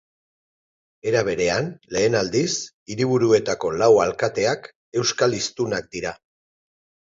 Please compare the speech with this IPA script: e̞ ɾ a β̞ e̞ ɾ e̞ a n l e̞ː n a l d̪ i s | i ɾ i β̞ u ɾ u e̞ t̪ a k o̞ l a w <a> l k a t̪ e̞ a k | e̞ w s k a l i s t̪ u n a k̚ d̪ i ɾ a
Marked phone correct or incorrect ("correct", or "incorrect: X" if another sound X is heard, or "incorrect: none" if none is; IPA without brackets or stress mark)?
correct